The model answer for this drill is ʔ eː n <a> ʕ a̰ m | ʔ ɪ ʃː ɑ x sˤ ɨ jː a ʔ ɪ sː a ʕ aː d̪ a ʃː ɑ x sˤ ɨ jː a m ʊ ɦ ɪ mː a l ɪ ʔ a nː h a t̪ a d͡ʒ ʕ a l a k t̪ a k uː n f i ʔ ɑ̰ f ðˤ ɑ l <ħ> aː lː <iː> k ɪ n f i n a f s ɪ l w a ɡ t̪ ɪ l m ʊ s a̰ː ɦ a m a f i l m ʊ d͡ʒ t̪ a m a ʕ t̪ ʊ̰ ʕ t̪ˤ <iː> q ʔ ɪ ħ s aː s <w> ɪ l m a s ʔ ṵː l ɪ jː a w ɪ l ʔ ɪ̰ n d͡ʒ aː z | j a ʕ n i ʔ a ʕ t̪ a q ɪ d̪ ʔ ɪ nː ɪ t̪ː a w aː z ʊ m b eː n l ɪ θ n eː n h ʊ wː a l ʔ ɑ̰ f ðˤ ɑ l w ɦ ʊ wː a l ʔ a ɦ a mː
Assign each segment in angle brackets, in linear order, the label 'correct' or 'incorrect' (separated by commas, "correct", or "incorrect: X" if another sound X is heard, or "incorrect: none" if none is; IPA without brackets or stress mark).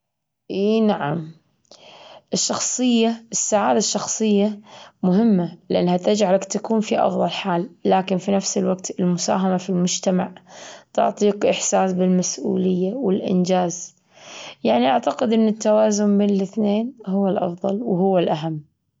correct, correct, incorrect: aː, correct, incorrect: b